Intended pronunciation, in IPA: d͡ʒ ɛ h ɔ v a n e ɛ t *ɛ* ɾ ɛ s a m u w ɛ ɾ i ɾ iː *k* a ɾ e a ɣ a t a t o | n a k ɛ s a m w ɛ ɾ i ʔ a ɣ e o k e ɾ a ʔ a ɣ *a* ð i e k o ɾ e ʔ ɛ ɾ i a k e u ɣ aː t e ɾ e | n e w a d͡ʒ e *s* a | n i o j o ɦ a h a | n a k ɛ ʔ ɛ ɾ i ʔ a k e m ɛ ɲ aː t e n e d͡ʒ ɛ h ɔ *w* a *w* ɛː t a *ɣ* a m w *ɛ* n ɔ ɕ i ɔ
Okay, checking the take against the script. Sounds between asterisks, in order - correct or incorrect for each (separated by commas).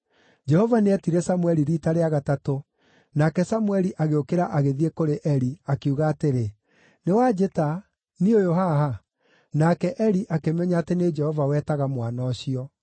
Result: incorrect, incorrect, incorrect, incorrect, incorrect, correct, correct, incorrect